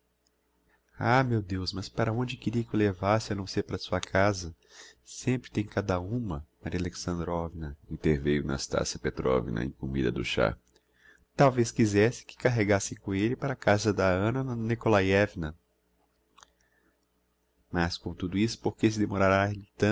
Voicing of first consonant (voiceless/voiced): voiced